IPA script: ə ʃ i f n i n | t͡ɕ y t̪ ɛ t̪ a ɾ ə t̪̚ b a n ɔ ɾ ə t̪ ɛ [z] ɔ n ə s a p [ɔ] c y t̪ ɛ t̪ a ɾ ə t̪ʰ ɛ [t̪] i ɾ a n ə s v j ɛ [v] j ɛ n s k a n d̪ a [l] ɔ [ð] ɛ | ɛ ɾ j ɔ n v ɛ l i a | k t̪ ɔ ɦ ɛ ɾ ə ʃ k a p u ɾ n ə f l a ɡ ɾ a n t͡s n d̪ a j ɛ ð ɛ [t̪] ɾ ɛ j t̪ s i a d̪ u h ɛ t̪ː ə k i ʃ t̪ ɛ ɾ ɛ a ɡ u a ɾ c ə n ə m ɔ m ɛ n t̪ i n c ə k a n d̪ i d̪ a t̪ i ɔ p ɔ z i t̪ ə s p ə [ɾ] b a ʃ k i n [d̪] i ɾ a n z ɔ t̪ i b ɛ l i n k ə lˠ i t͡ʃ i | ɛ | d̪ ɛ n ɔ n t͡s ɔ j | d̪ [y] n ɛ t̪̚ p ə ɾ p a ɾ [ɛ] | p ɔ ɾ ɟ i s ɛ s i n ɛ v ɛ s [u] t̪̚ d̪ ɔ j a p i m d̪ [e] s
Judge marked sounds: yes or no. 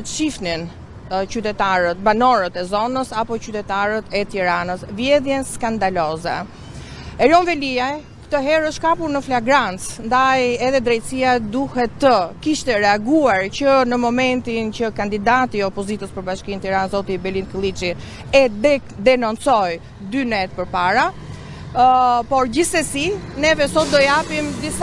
yes, yes, yes, no, yes, no, no, yes, no, yes, no, no, no

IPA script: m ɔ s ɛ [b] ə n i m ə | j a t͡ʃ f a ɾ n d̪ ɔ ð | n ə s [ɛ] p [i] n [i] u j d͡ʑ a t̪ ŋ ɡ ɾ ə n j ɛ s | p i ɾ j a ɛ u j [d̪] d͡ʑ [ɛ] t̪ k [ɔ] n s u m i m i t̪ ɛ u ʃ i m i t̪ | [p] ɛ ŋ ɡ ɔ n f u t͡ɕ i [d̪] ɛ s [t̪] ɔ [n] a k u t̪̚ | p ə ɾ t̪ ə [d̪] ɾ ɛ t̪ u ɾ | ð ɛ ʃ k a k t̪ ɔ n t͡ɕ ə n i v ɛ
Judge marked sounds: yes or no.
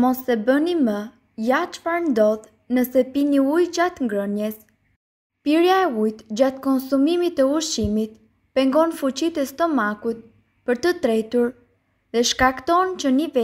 yes, yes, yes, yes, no, no, yes, yes, no, yes, no, no

